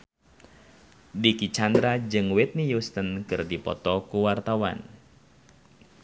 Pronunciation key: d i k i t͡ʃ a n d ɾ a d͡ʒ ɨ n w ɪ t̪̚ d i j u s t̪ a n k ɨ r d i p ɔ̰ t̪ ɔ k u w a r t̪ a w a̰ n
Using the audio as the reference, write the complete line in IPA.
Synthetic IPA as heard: d i k i t͡ʃ a n d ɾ a d͡ʒ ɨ ŋ w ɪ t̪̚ n i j u s t̪ ə n k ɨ r d i p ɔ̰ t̪ ɔ k u w a r t̪ a w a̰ n